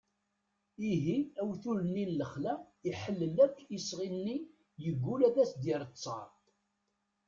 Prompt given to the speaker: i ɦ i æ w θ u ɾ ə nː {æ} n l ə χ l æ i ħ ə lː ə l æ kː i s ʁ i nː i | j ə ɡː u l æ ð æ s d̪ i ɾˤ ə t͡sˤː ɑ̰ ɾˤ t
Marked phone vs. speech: incorrect: i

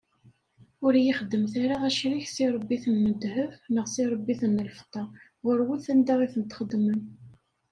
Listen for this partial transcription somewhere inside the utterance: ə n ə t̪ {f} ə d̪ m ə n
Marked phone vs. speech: incorrect: χ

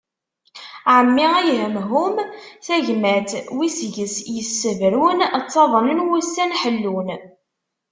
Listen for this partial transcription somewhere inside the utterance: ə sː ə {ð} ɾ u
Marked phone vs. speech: incorrect: v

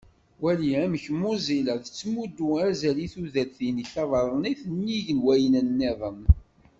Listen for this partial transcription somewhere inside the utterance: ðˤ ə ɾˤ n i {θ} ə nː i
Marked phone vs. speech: correct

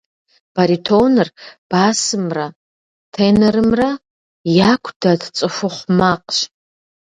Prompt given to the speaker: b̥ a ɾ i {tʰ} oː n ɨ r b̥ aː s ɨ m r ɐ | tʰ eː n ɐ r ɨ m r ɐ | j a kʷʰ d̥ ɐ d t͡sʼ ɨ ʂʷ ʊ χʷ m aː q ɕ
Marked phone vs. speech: correct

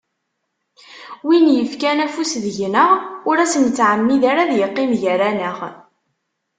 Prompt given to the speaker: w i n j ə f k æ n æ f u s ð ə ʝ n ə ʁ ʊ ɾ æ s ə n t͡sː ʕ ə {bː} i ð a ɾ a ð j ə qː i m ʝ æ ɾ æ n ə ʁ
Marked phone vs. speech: incorrect: mː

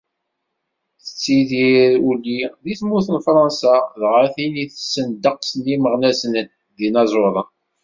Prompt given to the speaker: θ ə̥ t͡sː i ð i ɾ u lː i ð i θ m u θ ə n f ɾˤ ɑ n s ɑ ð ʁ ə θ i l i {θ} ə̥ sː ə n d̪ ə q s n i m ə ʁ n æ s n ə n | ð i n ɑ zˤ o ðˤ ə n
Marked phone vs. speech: correct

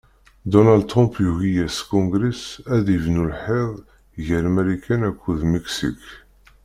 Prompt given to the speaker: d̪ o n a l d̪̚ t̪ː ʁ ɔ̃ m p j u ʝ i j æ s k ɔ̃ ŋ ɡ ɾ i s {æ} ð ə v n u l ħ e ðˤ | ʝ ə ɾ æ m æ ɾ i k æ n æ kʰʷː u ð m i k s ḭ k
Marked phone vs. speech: correct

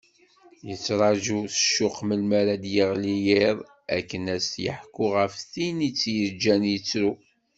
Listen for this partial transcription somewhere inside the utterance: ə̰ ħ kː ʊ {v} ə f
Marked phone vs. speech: incorrect: ʁ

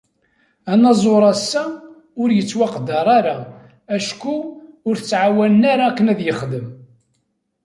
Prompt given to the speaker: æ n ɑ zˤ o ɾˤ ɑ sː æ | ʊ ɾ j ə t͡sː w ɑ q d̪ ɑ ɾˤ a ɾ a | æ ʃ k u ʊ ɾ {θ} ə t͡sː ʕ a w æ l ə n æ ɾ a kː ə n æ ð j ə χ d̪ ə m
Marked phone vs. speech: correct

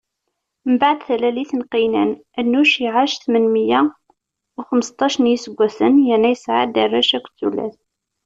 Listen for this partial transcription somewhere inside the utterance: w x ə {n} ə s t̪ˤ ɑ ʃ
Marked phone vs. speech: incorrect: m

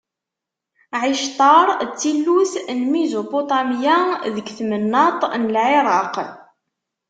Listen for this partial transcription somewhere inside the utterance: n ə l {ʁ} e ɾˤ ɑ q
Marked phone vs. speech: incorrect: ʕ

